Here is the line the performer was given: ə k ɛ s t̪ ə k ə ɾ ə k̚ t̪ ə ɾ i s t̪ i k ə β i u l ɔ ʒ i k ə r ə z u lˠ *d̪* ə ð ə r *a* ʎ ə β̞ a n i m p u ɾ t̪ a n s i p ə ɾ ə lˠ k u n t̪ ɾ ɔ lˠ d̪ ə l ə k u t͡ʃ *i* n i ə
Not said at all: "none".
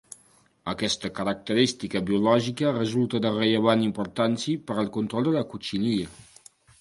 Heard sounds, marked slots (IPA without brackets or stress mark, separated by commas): t̪, ə, i